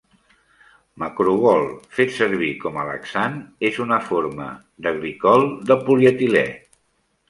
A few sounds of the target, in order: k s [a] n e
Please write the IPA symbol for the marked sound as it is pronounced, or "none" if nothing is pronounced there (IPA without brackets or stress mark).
a